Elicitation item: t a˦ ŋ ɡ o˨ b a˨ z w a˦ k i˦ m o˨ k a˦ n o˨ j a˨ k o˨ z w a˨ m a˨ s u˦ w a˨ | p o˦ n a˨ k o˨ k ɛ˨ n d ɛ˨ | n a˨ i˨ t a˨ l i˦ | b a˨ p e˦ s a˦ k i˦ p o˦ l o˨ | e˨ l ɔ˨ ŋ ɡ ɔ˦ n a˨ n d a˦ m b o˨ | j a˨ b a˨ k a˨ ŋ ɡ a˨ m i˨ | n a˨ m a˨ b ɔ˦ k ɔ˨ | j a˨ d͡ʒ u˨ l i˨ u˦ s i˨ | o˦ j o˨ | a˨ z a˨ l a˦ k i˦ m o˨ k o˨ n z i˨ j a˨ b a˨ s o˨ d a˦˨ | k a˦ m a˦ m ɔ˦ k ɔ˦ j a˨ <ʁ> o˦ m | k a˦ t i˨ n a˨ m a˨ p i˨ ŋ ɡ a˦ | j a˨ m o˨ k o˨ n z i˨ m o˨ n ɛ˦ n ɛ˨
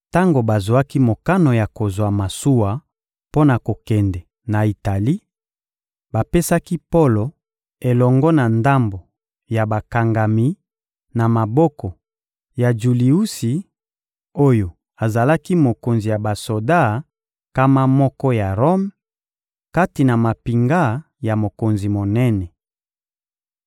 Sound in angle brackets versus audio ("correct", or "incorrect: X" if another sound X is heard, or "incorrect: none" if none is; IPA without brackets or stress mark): correct